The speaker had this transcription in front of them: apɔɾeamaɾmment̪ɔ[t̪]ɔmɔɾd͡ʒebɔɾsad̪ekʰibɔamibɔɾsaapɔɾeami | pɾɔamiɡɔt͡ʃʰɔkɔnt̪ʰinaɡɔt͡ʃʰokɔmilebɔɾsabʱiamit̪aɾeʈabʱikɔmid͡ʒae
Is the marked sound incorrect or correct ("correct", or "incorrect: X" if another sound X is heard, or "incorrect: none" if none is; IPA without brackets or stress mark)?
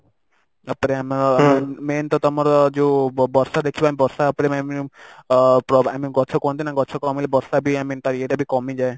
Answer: correct